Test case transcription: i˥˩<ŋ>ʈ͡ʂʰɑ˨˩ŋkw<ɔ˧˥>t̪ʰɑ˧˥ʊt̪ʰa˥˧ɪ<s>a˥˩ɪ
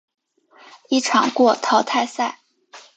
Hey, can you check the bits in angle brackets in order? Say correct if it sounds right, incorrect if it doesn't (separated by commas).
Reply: incorrect, incorrect, correct